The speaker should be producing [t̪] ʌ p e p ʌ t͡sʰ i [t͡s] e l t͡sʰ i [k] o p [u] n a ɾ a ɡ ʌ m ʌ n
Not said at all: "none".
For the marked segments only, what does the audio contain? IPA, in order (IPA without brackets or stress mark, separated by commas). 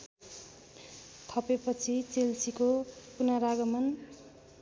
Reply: t̪ʰ, t͡s, k, u